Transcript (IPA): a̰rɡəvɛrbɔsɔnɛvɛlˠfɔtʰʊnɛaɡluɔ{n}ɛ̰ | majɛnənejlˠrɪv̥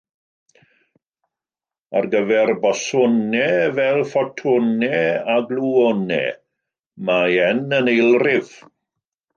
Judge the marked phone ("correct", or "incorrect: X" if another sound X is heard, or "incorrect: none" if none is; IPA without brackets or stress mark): correct